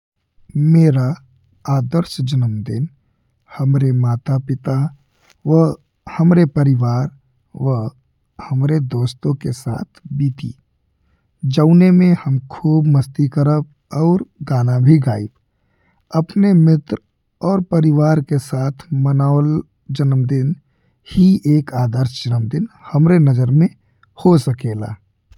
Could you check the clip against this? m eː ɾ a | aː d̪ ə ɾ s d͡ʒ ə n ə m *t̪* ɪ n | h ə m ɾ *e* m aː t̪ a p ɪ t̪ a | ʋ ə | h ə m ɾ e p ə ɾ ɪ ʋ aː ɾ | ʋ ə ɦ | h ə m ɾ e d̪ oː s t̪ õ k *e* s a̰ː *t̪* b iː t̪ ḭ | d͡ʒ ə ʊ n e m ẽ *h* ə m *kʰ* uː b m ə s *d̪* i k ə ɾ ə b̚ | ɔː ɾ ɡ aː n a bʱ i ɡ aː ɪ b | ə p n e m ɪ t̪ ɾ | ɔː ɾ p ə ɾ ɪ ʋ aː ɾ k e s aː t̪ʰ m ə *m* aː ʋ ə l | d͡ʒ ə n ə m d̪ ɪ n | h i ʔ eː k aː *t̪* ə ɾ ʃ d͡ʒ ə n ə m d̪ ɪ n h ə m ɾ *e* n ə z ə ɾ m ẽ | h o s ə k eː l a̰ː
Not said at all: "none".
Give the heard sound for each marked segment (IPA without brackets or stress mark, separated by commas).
d̪, e, e, t̪ʰ, h, kʰ, t̪, n, d̪, e